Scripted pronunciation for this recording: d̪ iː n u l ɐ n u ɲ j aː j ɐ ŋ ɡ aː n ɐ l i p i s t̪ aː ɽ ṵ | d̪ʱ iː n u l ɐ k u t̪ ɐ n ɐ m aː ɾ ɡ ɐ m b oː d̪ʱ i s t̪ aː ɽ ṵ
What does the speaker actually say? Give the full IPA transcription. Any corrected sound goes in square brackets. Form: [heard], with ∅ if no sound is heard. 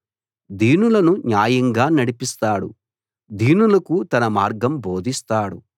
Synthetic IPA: d̪ iː n u l ɐ n u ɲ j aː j ɐ ŋ ɡ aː n ɐ [ɽ] i p i s t̪ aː ɽ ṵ | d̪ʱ iː n u l ɐ k u t̪ ɐ n ɐ m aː ɾ ɡ ɐ m b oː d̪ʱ i s t̪ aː ɽ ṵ